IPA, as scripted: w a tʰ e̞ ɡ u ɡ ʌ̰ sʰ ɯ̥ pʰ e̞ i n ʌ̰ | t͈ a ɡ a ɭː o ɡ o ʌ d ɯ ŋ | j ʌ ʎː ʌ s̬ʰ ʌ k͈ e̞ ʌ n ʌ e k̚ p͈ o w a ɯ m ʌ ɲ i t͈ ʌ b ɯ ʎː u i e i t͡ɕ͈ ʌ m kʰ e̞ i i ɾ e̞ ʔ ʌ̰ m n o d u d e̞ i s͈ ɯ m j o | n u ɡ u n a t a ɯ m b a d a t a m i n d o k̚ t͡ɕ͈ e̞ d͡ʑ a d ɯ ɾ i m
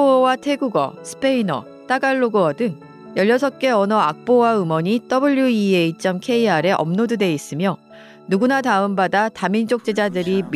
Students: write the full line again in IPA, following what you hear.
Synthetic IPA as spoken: w a tʰ e̞ ɡ u ɡ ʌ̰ sʰ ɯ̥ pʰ e̞ i n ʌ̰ | t͈ a ɡ a ɭː o ɡ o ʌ d ɯ ŋ | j ʌ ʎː ʌ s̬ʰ ʌ k͈ e̞ ʌ n ʌ a k̚ p͈ o w a ɯ m ʌ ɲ i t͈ ʌ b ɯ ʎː u i e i t͡ɕ͈ ʌ m kʰ e̞ i a ɾ e̞ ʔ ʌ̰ m n o d u d e̞ i s͈ ɯ m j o | n u ɡ u n a t a ɯ m b a d a t a m i n d͡ʑ o k̚ t͡ɕ͈ e̞ d͡ʑ a d ɯ ɾ i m